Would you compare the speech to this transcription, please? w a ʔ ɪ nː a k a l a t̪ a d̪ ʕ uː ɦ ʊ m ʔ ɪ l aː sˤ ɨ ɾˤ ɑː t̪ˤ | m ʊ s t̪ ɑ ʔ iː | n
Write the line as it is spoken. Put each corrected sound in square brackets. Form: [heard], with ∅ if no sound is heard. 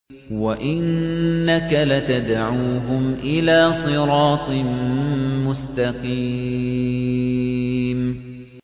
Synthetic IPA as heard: w a ʔ ɪ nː a k a l a t̪ a d̪ ʕ uː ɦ ʊ m ʔ ɪ l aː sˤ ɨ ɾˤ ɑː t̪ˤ | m ʊ s t̪ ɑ [q] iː | [m]

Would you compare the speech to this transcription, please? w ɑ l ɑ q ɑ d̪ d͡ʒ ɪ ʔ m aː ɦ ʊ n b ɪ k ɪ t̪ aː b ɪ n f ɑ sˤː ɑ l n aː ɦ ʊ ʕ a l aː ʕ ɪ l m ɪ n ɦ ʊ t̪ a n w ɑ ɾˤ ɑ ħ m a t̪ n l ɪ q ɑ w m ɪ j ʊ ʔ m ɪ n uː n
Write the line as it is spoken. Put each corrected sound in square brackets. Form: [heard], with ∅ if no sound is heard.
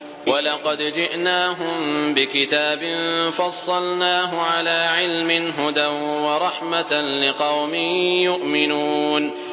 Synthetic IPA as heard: w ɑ l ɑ q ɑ d̪ d͡ʒ ɪ ʔ [n] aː ɦ ʊ [m] b ɪ k ɪ t̪ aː b ɪ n f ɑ sˤː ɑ l n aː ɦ ʊ ʕ a l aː ʕ ɪ l m ɪ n ɦ ʊ [d̪] a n w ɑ ɾˤ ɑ ħ m a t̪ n l ɪ q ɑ w m ɪ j ʊ ʔ m ɪ n uː n

